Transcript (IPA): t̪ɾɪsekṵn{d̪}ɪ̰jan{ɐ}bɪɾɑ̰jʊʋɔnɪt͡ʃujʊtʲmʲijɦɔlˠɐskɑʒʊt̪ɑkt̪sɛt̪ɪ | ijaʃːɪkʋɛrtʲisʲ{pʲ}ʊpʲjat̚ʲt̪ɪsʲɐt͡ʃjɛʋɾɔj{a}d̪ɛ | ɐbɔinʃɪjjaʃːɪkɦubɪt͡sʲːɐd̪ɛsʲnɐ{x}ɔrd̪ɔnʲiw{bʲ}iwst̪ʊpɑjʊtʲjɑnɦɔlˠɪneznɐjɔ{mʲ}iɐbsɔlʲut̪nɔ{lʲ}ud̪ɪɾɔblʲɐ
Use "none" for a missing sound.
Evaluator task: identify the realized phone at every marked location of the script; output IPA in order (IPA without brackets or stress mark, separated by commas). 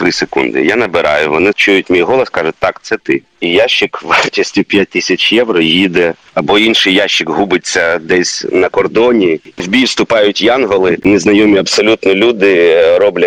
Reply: d̪, ɐ, tʲ, i, k, bʲ, mʲ, lʲ